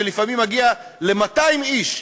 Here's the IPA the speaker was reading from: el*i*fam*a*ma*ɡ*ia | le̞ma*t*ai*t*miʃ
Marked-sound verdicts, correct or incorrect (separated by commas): correct, incorrect, correct, correct, incorrect